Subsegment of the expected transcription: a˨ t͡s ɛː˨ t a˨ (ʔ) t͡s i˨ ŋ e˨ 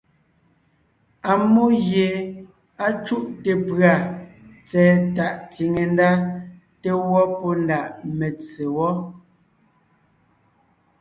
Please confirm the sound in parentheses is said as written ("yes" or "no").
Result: yes